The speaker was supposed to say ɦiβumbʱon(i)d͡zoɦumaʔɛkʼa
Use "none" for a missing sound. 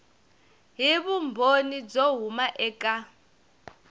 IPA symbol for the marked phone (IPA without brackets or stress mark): i